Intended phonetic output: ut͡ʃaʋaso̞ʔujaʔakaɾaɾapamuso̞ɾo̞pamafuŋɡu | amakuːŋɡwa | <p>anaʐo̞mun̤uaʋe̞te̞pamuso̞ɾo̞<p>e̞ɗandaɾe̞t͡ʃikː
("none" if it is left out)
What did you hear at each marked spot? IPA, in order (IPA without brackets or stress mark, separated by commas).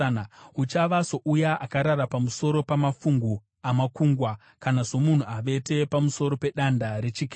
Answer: k, p